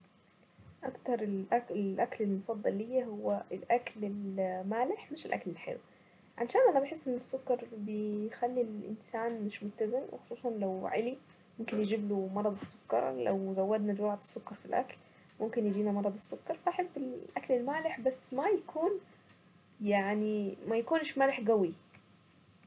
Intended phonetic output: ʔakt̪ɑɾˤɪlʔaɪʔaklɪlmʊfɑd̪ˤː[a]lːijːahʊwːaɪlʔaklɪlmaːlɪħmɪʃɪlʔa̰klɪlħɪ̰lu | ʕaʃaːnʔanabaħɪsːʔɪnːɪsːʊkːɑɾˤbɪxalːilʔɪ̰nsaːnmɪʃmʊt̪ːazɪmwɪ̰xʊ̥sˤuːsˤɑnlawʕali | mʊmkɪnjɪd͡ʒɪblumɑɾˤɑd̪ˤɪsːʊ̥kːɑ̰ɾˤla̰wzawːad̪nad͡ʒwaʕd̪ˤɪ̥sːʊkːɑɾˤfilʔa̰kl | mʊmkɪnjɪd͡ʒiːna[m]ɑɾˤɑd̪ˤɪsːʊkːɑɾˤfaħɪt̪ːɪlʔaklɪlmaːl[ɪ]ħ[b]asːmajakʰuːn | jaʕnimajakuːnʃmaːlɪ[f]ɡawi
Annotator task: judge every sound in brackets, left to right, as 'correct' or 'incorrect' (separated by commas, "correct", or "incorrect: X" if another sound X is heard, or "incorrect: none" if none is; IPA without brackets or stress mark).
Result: incorrect: ɑ, correct, correct, correct, incorrect: ħ